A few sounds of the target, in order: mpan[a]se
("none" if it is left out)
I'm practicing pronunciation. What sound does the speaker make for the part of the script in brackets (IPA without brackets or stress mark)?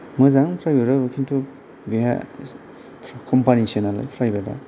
i